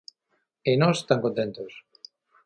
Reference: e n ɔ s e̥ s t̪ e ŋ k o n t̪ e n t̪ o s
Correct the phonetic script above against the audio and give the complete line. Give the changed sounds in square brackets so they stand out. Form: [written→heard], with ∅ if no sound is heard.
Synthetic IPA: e n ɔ s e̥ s t̪ [e→a] ŋ k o n t̪ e n t̪ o s